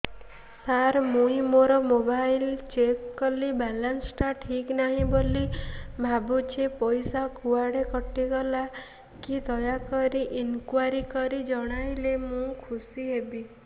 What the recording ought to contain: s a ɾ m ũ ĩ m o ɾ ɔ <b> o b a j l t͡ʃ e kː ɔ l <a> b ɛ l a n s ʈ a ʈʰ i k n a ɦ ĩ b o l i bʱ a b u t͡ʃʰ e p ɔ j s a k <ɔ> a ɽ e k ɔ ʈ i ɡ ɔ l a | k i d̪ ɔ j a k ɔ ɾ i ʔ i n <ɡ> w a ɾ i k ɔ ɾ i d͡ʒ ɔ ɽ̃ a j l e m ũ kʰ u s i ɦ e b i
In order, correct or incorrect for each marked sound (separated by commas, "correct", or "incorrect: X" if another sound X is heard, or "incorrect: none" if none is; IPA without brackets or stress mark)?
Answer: incorrect: m, incorrect: i, incorrect: u, incorrect: k